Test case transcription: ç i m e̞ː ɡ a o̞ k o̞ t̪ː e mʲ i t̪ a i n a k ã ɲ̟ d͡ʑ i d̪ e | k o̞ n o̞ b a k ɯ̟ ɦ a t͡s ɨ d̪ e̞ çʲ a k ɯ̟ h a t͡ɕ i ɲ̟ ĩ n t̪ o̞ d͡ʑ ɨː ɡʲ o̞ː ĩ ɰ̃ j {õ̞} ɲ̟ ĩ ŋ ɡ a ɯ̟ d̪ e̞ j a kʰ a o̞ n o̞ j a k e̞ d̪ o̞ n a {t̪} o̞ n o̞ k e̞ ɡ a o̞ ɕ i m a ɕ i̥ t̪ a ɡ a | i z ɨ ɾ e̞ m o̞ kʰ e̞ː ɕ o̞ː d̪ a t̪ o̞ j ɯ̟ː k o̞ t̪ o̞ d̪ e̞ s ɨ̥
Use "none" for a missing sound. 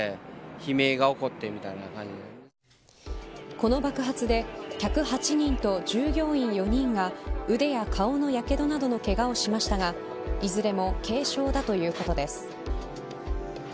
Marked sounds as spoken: o̞, d̪

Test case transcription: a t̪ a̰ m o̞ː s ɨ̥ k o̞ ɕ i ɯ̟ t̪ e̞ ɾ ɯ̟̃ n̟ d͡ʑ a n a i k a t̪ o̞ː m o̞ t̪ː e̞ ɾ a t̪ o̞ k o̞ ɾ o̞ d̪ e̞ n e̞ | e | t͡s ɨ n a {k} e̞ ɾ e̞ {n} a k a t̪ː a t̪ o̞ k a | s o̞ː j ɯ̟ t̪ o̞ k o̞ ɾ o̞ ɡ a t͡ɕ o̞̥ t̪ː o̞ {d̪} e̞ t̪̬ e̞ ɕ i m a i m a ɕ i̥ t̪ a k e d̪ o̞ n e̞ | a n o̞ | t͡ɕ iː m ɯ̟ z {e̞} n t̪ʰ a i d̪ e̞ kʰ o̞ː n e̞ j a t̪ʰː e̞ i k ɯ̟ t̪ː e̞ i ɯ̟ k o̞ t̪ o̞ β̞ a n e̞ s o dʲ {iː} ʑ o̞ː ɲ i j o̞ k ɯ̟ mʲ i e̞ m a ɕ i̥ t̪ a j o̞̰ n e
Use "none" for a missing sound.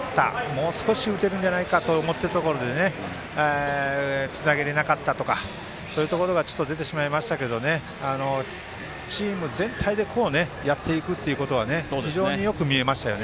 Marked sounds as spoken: ɡ, n, d̪, ẽ̞, i

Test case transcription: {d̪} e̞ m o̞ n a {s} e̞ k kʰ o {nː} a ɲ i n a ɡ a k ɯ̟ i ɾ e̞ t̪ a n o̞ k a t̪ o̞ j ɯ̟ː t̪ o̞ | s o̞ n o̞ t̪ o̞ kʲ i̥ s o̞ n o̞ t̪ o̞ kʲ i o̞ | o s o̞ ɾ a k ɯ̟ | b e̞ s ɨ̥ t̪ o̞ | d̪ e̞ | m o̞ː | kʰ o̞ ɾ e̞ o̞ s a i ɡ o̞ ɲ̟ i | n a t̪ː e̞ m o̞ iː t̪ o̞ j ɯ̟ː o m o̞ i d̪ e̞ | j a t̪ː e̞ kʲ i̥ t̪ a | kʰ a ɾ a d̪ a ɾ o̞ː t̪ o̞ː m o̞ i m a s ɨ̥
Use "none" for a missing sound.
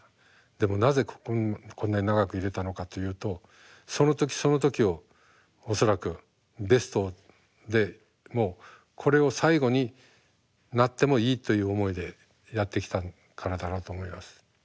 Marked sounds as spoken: d̪, z, nː

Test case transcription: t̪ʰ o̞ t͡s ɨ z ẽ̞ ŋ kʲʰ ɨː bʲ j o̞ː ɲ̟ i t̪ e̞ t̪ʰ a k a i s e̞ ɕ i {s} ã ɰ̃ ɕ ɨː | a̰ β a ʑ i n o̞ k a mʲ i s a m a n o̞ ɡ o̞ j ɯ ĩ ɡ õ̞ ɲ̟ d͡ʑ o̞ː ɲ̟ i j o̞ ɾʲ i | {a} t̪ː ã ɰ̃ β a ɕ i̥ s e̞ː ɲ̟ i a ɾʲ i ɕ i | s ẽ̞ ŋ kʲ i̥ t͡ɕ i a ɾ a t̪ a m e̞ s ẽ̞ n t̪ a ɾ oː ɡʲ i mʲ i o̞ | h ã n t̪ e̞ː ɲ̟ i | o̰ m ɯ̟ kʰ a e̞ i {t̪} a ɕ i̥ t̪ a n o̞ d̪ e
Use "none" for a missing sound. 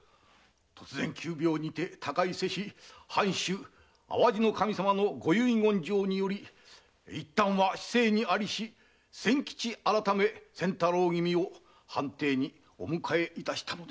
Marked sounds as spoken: h, i, t̪

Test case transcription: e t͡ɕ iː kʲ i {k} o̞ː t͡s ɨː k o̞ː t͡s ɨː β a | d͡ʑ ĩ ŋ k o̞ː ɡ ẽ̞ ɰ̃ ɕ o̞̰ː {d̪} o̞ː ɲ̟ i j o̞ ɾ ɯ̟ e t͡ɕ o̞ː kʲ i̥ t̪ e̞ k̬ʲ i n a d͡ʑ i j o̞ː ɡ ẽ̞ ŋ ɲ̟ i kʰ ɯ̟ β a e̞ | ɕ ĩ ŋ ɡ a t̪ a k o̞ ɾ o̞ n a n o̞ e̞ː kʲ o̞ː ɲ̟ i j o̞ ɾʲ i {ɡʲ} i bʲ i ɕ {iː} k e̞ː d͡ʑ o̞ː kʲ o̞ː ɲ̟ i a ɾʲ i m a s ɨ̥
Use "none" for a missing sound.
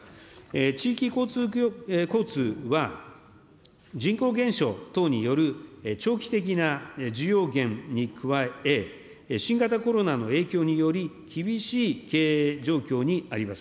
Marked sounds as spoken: k, t̪, kʲ, iː

